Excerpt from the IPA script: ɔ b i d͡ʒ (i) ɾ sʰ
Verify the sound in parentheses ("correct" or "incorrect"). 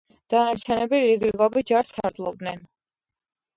incorrect